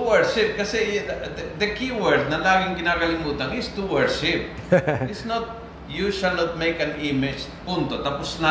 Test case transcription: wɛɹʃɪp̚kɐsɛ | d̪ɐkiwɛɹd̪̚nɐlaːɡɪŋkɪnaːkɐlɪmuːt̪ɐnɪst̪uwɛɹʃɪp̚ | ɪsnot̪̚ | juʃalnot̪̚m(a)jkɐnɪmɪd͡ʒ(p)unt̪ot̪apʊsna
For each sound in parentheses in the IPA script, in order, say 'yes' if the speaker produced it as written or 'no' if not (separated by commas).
no, yes